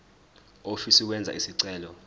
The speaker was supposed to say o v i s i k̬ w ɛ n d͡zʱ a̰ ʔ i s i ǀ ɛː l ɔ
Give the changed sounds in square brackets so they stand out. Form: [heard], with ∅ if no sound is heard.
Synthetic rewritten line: o [f] i s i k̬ w ɛ n d͡zʱ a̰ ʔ i s i ǀ ɛː l ɔ

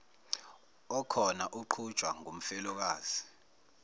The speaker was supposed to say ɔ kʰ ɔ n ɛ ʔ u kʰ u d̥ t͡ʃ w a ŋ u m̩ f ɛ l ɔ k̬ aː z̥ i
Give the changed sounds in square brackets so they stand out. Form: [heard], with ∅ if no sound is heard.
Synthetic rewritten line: ɔ kʰ ɔ n [a] ʔ u [ǃʰ] u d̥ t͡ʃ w a ŋ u m̩ f ɛ l ɔ k̬ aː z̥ i

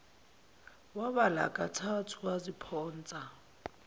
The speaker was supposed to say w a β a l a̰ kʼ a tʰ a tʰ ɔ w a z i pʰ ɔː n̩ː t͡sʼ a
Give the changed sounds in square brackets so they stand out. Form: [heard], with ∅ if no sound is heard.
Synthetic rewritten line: w a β a l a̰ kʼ a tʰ a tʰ [u] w a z i pʰ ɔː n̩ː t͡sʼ a

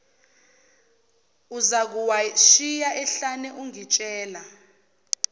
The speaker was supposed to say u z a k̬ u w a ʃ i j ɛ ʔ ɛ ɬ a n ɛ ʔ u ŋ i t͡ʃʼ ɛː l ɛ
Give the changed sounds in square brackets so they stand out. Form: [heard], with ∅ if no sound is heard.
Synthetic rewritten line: u z a k̬ u w a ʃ i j [a] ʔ ɛ ɬ a n ɛ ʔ u ŋ i t͡ʃʼ ɛː l [a]

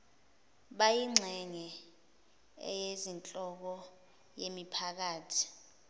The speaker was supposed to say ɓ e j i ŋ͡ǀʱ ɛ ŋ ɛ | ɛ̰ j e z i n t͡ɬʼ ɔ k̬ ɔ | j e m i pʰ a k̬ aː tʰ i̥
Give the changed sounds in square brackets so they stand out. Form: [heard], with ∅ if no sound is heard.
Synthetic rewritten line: ɓ [a] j i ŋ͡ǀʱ ɛ ŋ ɛ | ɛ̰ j e z i n t͡ɬʼ ɔ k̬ ɔ | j e m i pʰ a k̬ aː tʰ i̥

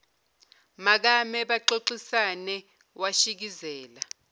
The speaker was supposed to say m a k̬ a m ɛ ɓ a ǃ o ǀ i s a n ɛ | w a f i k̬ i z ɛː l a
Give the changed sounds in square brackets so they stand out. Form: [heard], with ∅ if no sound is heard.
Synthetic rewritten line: m a k̬ a m ɛ ɓ a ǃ o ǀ i s a n ɛ | w a [ʃ] i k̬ i z ɛː l a

